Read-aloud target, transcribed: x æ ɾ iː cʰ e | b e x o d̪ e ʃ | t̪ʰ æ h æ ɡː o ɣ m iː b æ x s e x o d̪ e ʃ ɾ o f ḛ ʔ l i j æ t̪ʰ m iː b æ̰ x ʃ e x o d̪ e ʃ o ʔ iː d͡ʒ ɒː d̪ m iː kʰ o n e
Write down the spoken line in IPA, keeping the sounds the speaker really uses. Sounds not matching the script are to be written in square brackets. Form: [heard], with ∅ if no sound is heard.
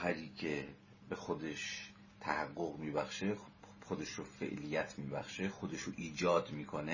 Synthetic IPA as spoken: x æ ɾ iː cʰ e | b e x o d̪ e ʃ | t̪ʰ æ h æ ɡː o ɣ m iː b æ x [ʃ] e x o d̪ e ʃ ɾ o f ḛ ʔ l i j æ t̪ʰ m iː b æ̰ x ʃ e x o d̪ e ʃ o ʔ iː d͡ʒ ɒː d̪ m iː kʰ o n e